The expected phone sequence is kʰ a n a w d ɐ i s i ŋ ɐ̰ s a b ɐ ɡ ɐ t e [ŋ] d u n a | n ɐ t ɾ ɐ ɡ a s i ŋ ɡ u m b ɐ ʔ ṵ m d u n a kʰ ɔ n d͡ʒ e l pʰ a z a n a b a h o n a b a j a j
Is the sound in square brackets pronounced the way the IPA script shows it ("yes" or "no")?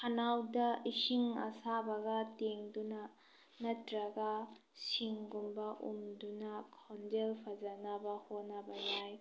yes